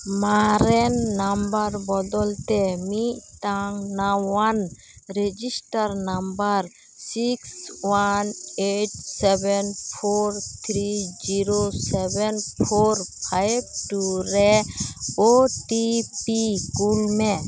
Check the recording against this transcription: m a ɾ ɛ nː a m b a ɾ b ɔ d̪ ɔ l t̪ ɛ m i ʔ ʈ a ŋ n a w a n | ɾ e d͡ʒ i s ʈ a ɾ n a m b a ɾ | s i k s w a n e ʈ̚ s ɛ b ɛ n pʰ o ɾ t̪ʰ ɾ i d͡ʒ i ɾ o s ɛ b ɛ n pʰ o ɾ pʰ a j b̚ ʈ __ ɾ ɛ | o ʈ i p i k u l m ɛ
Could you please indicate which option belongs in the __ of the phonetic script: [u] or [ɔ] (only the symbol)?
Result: u